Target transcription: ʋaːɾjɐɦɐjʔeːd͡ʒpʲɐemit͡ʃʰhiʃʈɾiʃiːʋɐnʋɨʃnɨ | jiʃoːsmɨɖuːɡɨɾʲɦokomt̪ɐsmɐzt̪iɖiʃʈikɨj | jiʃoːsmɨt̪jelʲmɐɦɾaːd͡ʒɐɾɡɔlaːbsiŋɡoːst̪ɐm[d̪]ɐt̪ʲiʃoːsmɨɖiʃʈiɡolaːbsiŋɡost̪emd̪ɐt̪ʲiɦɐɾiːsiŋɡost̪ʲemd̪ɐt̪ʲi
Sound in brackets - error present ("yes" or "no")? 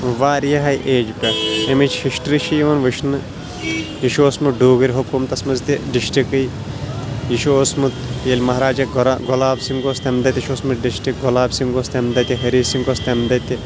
no